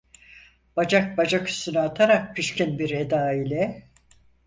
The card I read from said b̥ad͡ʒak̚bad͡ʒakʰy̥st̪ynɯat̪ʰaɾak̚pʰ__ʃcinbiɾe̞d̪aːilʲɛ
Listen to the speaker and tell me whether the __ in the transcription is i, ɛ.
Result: i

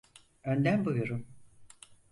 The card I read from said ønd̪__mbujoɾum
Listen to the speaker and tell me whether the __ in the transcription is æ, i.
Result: æ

